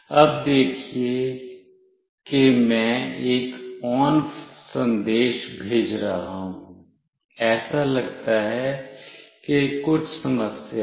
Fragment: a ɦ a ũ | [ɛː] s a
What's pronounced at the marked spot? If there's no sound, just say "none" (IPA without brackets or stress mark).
ɛː